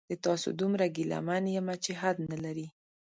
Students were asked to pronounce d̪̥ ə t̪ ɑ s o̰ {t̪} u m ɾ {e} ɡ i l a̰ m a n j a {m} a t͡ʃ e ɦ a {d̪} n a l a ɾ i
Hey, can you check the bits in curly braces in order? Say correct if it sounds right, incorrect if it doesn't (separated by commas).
incorrect, incorrect, correct, correct